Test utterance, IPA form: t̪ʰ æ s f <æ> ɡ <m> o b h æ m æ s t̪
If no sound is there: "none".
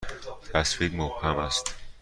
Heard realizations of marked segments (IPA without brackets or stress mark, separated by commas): i, m